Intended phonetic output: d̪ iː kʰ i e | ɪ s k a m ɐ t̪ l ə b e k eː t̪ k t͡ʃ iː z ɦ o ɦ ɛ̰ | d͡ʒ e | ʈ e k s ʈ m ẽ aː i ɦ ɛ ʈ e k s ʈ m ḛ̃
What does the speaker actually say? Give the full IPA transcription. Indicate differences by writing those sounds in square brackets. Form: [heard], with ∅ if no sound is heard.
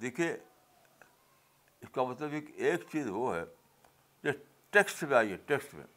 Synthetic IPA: d̪ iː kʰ i e | ɪ s k a m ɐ t̪ l ə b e k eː [∅] k t͡ʃ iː z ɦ o ɦ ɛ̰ | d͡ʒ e | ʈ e k s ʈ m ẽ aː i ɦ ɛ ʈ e k s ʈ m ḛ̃